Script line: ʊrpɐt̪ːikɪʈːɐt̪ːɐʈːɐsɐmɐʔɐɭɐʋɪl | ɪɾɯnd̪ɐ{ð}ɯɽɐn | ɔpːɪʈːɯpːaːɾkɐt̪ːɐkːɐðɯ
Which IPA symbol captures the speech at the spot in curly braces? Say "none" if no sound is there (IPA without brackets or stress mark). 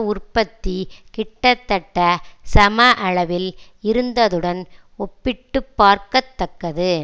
ð